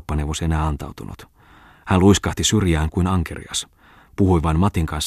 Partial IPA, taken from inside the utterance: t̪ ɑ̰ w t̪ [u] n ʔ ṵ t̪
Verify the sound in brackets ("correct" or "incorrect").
correct